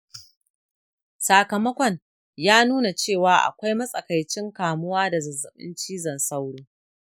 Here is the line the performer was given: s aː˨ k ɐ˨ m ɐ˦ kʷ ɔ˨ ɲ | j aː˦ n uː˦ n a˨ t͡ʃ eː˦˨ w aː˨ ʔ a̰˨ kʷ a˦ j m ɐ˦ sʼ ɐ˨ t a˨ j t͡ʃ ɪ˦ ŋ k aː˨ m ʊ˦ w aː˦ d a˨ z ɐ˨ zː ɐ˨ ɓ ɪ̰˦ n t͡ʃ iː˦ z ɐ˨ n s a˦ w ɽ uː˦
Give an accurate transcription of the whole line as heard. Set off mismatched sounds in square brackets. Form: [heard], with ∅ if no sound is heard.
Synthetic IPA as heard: s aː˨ k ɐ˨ m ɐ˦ kʷ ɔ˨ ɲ | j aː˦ n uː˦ n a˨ t͡ʃ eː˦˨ w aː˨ ʔ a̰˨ kʷ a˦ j m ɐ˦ sʼ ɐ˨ [k] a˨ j t͡ʃ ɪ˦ ŋ k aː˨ m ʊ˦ w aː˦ d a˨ z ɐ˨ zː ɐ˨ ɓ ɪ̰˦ n t͡ʃ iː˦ z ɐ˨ n s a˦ w ɽ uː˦